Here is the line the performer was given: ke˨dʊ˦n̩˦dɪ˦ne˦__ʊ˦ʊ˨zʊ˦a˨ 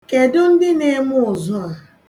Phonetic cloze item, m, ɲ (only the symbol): m